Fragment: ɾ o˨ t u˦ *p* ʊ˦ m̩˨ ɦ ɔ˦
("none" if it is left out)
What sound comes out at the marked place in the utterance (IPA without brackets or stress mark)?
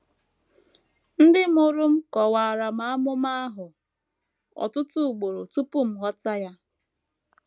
p